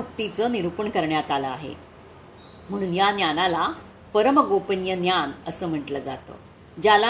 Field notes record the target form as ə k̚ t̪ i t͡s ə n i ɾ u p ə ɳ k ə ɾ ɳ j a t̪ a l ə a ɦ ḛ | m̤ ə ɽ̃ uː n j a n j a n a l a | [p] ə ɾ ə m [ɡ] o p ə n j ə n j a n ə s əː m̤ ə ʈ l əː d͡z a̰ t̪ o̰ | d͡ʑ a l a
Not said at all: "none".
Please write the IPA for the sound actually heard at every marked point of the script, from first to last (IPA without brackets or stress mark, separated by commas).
p, ɡ